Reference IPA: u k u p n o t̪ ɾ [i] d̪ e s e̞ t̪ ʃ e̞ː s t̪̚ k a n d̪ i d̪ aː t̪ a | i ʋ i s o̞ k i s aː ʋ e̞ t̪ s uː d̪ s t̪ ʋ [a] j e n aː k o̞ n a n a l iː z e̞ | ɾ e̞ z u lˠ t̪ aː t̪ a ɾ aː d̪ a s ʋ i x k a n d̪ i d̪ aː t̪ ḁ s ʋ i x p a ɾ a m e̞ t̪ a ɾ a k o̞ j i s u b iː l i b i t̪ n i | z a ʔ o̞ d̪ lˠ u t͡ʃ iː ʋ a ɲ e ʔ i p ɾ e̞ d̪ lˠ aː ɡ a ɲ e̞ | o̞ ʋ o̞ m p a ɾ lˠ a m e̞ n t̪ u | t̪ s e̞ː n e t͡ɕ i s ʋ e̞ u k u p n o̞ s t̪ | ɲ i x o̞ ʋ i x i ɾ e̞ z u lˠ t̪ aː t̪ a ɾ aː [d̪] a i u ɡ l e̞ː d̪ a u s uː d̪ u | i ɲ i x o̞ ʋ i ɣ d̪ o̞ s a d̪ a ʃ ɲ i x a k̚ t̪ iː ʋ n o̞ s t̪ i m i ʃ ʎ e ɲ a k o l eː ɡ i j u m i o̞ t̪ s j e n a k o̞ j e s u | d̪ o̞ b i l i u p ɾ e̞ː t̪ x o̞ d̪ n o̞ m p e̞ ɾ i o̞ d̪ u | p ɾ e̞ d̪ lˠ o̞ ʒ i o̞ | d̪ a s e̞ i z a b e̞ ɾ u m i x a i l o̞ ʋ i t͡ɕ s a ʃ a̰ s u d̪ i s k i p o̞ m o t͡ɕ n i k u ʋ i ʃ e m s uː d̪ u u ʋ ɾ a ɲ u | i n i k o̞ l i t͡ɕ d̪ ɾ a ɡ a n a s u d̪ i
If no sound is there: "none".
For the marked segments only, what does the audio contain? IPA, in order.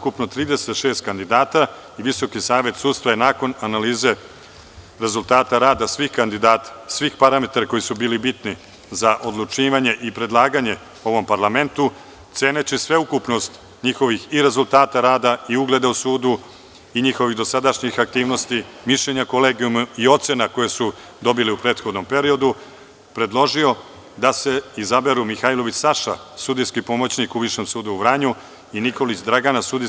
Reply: iː, a, d̪

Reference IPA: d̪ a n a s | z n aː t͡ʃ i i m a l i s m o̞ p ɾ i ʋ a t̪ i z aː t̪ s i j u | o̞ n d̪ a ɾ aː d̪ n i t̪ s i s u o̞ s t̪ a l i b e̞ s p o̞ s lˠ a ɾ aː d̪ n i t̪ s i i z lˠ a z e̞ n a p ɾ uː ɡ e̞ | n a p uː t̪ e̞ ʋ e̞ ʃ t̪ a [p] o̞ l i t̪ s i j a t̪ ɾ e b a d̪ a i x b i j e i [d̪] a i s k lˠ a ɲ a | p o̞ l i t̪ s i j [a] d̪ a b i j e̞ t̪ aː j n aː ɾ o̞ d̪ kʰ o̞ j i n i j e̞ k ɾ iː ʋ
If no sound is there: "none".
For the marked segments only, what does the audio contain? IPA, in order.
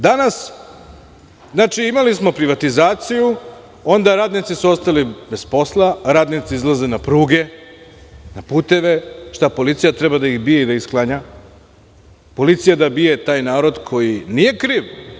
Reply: p, d̪, a

